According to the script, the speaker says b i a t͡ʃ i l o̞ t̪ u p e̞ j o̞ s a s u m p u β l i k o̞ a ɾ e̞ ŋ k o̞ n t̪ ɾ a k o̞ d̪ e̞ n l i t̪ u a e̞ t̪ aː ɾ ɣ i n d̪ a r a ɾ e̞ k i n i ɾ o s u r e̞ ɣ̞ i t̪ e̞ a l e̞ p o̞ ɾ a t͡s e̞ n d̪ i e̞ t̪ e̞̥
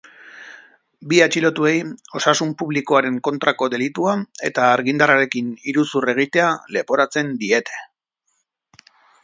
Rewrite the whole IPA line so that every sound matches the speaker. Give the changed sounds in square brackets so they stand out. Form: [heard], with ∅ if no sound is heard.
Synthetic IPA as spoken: b i a t͡ʃ i l o̞ t̪ u [∅] e̞ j o̞ s a s u m p u β l i k o̞ a ɾ e̞ ŋ k o̞ n t̪ ɾ a k o̞ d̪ e̞ [∅] l i t̪ u a e̞ t̪ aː ɾ ɣ i n d̪ a r a ɾ e̞ k i n i ɾ [u] s u r e̞ ɣ̞ i t̪ e̞ a l e̞ p o̞ ɾ a t͡s e̞ n d̪ i e̞ t̪ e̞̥